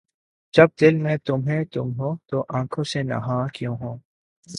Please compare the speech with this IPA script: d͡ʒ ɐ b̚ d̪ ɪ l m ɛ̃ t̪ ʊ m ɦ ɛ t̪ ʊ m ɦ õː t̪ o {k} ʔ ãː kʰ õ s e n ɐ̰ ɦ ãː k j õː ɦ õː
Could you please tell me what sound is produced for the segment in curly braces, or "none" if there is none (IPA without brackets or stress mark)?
none